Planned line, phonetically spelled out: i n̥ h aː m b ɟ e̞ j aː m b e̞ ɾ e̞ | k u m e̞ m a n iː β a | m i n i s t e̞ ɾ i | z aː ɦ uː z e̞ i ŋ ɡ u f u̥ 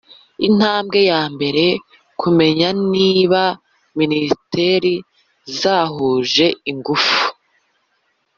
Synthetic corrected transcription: i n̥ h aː m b ɡ e̞ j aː m b e̞ ɾ e̞ | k u m e̞ ɲ a n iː β a | m i n i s t e̞ ɾ i | z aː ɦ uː ʒ e̞ i ŋ ɡ u f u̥